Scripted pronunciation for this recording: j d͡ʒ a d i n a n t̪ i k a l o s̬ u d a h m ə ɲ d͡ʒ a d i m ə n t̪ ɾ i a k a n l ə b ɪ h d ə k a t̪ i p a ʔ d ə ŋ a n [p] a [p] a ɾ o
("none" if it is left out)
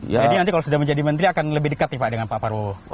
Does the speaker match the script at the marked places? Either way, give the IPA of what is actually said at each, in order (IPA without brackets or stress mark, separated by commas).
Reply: p, p